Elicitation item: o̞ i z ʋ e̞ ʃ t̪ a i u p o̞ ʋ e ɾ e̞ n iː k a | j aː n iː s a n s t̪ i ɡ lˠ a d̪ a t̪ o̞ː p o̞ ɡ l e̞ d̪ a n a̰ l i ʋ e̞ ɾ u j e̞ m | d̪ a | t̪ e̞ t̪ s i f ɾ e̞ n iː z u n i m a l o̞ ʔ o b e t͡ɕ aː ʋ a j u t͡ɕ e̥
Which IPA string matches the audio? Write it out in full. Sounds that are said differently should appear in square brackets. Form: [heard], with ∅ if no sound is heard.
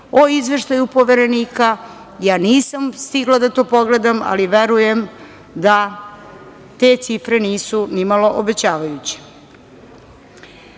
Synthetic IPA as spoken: o̞ i z ʋ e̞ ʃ t̪ a [j] u p o̞ ʋ e ɾ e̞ n iː k a | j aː n iː s a [m] s t̪ i ɡ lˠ a d̪ a t̪ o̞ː p o̞ ɡ l e̞ d̪ a [m] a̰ l i ʋ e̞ ɾ u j e̞ m | d̪ a | t̪ e̞ t̪ s i f ɾ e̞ n iː [s] u n i m a l o̞ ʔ o b e t͡ɕ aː ʋ a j u t͡ɕ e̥

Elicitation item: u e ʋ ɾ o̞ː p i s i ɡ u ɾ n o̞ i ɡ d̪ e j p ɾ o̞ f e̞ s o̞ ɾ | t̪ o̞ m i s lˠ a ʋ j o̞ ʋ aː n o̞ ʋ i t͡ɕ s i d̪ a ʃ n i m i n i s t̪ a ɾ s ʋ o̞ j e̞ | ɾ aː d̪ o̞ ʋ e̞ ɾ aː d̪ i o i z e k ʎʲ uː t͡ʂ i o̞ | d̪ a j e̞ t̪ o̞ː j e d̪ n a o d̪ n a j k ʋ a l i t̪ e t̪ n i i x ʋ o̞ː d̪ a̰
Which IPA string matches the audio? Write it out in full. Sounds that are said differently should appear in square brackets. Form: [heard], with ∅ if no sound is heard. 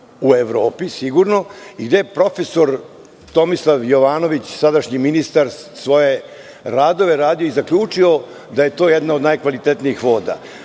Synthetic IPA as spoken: u e ʋ ɾ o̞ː p i s i ɡ u ɾ n o̞ i ɡ d̪ e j p ɾ o̞ f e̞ s o̞ ɾ | t̪ o̞ m i s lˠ a ʋ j o̞ ʋ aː n o̞ ʋ i t͡ɕ s [a] d̪ a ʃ [ɲ] i m i n i s t̪ a ɾ s ʋ o̞ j e̞ | ɾ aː d̪ o̞ ʋ e̞ ɾ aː d̪ i o i z [a] k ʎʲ uː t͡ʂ i o̞ | d̪ a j e̞ t̪ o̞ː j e d̪ n a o d̪ n a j k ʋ a l i t̪ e t̪ n i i x ʋ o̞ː d̪ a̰

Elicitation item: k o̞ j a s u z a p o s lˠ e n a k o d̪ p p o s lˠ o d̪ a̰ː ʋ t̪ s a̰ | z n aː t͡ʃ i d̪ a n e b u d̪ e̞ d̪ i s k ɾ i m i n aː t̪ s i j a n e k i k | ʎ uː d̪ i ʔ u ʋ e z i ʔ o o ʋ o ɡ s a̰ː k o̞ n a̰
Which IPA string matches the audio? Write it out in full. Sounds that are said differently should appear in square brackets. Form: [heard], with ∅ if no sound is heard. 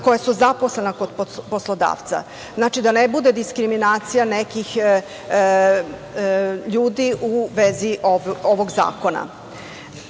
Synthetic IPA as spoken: k o̞ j a s u z a p o s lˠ e n a k o d̪ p p o s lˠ o d̪ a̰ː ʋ t̪ s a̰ | z n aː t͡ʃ i d̪ a n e b u d̪ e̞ d̪ i s k ɾ i m i n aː t̪ s i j a n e k i [x] | ʎ uː d̪ i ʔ u ʋ e z i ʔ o o ʋ o ɡ [z] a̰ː k o̞ n a̰

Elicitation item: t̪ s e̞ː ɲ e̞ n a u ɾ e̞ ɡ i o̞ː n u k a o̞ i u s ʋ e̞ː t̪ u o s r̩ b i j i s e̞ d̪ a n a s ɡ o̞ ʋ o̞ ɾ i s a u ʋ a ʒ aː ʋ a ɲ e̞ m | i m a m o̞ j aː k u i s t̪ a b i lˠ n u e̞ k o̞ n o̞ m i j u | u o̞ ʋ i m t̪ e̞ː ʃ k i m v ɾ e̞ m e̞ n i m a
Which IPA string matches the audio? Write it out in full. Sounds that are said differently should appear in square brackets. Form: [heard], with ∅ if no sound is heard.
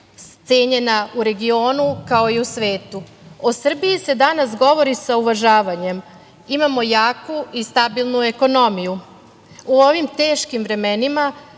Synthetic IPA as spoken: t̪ s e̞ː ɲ e̞ n a u ɾ e̞ ɡ i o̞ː n u k a o̞ i u s ʋ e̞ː t̪ u o s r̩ b i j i s e̞ d̪ a n a s ɡ o̞ ʋ o̞ ɾ i s a u ʋ a ʒ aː ʋ a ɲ e̞ m | i m a m o̞ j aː k u i s t̪ a b i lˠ n u e̞ k o̞ n o̞ m i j u | u o̞ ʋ i m t̪ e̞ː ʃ k i m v ɾ e̞ m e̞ n i m a

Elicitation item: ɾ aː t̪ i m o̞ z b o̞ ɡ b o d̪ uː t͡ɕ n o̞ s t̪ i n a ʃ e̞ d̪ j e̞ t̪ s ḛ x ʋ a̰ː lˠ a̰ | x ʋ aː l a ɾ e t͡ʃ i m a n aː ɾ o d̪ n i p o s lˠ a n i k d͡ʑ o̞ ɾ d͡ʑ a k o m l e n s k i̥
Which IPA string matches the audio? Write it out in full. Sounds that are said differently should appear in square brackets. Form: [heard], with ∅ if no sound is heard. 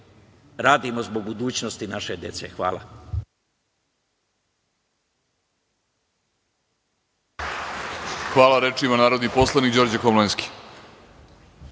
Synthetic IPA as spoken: ɾ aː [d̪] i m o̞ z b o̞ ɡ b [u] d̪ uː t͡ɕ n o̞ s t̪ i n a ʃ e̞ d̪ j e̞ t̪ s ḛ x ʋ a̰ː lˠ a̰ | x ʋ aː l a ɾ e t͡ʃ i m a n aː ɾ o d̪ n i p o s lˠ a n i k d͡ʑ o̞ ɾ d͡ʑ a k o m l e n s k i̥

